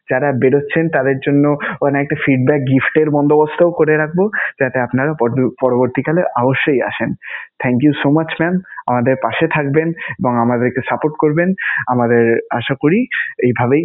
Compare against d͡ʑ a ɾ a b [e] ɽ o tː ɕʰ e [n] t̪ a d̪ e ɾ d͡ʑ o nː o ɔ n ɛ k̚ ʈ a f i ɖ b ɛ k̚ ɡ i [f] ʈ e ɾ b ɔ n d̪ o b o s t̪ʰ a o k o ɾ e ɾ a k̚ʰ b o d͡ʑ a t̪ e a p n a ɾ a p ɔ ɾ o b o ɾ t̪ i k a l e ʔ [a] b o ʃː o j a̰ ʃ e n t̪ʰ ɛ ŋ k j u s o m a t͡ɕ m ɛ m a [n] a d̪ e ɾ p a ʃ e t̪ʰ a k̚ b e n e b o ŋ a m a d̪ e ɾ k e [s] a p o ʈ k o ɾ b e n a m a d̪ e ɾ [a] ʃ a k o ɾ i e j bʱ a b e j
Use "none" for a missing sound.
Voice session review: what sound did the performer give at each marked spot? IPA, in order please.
e, n, f, a, m, s, a

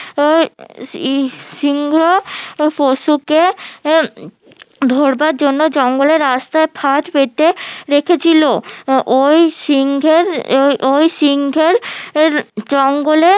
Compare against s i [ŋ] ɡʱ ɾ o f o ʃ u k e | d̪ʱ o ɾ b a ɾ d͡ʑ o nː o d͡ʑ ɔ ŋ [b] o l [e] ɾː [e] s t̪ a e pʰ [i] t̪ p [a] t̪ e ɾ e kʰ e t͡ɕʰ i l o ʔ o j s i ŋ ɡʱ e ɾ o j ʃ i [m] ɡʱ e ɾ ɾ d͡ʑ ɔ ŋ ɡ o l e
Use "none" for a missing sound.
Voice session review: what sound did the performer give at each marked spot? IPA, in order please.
ŋ, ɡ, e, a, a, e, ŋ

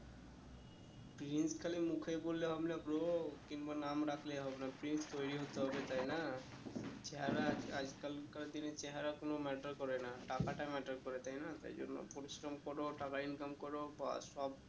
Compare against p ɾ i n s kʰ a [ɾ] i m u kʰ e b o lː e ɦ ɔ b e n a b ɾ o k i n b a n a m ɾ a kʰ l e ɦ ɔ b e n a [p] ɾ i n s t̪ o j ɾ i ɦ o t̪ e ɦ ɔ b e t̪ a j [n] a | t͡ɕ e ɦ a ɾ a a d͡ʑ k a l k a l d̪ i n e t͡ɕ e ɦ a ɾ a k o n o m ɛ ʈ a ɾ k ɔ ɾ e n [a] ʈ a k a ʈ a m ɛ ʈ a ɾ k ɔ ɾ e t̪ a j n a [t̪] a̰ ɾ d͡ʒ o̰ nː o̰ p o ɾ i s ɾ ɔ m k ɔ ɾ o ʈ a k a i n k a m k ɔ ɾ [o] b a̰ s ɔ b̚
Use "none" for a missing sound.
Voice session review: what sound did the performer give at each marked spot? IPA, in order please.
l, p, n, a, t̪, o

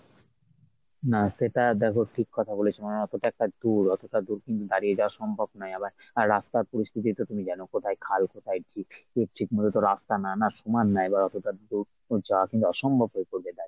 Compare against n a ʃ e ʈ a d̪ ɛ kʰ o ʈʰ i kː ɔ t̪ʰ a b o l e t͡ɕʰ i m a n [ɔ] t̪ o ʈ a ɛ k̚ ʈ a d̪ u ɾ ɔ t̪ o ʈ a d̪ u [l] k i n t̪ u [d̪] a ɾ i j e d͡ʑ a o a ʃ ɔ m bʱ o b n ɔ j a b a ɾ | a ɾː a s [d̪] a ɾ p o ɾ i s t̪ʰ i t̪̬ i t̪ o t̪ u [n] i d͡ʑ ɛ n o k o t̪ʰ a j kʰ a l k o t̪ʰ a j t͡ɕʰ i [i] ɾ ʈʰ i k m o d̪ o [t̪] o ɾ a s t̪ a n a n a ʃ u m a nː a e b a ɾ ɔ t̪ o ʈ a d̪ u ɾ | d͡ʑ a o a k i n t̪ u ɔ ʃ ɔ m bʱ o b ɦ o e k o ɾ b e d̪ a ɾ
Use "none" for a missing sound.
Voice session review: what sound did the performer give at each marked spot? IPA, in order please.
ɔ, ɾ, d̪, t̪, m, e, t̪

